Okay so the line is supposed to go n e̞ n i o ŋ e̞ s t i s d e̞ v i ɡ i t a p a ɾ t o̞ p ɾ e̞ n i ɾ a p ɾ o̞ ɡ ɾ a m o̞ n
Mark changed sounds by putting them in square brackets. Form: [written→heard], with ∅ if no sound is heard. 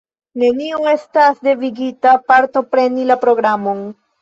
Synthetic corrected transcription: n e̞ n i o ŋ e̞ s t [i→a] s d e̞ v i ɡ i t a p a ɾ t o̞ p ɾ e̞ n i [ɾ→l] a p ɾ o̞ ɡ ɾ a m o̞ n